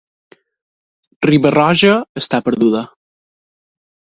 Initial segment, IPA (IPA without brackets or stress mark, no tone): r